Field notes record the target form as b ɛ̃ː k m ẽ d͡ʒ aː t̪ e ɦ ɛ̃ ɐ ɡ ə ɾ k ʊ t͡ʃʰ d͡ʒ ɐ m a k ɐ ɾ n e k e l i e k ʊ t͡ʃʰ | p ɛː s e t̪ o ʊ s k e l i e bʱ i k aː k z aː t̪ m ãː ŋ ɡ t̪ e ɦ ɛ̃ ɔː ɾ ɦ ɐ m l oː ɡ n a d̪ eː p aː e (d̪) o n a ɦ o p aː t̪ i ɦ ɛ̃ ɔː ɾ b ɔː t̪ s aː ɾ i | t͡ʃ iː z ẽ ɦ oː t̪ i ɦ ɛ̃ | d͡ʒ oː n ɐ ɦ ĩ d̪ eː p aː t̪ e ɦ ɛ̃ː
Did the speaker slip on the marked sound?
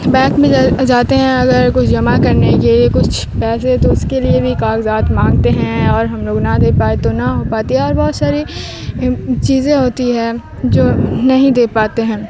yes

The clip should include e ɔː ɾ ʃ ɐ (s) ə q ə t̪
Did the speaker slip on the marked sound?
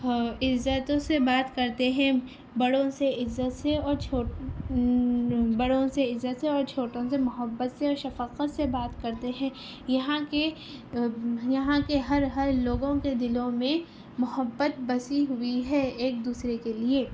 yes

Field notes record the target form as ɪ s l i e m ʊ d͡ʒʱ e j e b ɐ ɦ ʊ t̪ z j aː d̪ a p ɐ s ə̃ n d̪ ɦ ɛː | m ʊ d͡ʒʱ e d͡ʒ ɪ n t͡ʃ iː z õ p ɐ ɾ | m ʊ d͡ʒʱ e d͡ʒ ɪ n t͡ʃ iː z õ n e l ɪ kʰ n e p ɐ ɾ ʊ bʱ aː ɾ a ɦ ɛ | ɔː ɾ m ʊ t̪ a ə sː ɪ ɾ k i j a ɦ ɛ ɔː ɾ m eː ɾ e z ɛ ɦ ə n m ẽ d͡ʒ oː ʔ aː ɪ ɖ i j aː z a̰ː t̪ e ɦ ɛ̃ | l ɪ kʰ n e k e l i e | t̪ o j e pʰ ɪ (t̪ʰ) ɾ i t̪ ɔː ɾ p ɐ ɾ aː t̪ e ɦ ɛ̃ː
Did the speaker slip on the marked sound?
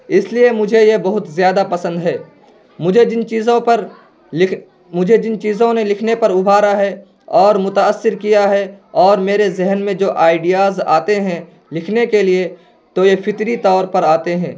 yes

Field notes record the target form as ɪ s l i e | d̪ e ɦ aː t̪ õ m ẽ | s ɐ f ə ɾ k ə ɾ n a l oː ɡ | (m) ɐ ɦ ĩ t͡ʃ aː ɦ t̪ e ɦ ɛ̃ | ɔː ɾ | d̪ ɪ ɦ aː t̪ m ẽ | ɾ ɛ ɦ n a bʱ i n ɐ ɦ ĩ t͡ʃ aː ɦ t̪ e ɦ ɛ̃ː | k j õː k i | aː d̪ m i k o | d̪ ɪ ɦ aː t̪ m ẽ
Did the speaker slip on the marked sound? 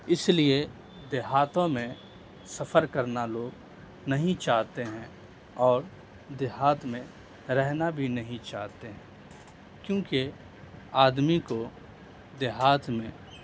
yes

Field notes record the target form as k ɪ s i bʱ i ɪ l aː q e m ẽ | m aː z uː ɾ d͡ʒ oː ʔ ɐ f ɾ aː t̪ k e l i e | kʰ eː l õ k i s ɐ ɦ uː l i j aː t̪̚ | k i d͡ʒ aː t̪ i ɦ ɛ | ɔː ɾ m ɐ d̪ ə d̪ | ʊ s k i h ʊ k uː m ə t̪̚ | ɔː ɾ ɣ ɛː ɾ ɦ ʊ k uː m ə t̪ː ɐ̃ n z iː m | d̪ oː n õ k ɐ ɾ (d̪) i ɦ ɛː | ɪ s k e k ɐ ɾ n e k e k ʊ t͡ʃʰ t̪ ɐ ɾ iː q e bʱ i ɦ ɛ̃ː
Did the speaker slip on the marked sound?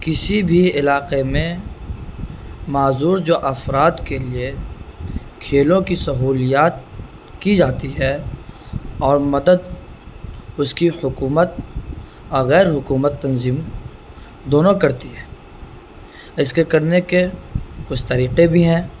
yes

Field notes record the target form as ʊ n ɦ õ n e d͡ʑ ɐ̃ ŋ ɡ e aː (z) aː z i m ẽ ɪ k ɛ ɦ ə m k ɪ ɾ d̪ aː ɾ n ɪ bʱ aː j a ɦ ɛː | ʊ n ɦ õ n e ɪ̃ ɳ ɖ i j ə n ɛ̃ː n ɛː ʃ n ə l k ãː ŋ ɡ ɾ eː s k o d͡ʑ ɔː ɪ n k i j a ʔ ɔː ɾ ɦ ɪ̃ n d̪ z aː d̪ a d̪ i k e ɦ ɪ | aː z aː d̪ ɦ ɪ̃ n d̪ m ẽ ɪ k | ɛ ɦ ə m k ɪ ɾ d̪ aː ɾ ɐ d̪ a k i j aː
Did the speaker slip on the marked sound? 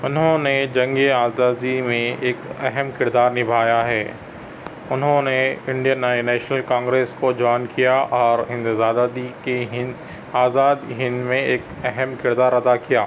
no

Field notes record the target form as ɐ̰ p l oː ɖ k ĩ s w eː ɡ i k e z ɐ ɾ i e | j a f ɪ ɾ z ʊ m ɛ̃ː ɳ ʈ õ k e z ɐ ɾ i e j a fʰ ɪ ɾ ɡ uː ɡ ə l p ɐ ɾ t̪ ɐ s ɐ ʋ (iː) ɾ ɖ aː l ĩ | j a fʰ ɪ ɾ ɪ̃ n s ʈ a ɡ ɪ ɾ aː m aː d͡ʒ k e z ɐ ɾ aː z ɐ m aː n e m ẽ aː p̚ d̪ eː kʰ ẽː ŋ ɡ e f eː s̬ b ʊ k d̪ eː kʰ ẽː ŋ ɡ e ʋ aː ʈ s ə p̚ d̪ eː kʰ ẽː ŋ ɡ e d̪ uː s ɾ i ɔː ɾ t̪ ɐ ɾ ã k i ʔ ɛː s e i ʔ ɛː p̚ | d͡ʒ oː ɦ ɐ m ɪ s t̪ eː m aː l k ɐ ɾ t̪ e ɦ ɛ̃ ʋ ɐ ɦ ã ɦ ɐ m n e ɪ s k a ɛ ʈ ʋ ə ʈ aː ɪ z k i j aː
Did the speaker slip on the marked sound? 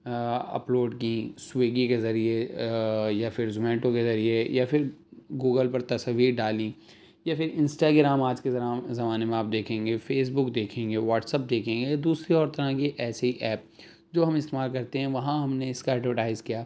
no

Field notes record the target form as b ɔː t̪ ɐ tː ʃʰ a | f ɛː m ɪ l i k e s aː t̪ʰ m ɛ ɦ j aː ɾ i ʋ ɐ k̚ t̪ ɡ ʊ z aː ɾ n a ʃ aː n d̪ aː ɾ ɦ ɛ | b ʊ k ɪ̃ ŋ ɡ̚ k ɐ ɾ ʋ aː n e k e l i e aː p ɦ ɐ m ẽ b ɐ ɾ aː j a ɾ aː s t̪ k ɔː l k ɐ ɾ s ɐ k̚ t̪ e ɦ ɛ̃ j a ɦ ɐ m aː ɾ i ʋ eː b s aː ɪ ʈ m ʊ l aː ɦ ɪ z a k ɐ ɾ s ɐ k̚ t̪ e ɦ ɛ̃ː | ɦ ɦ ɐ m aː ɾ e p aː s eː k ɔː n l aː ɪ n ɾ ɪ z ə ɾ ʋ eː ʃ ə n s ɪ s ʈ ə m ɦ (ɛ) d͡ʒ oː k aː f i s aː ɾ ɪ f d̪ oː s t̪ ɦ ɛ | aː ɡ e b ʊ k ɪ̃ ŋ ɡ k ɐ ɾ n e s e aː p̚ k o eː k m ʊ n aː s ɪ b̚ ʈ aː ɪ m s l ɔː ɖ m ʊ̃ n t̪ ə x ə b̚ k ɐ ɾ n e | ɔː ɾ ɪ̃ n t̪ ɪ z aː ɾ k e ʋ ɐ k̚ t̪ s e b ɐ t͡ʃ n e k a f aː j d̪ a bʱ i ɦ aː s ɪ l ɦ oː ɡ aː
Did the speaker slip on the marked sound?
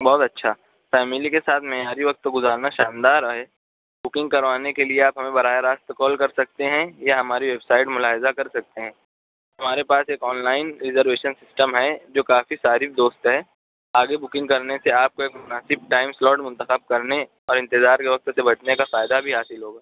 no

